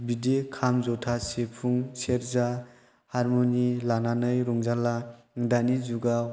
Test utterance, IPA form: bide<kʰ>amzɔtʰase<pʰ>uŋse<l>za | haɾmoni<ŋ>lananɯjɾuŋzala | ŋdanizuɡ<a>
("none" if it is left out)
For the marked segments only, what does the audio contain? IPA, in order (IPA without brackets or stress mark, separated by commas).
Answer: kʰ, pʰ, ɾ, none, a